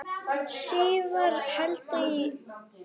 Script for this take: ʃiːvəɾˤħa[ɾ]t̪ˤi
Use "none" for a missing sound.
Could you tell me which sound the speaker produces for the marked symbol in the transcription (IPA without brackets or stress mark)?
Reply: l